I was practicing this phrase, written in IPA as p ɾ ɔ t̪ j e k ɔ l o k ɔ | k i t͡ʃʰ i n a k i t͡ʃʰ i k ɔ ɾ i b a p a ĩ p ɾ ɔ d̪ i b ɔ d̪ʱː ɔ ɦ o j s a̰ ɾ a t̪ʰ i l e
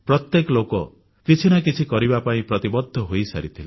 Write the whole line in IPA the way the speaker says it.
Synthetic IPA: p ɾ ɔ t̪ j e k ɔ l o k ɔ | k i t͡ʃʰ i n a k i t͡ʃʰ i k ɔ ɾ i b a p a ĩ p ɾ ɔ t̪ i b ɔ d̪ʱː ɔ ɦ o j s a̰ ɾ i t̪ʰ i l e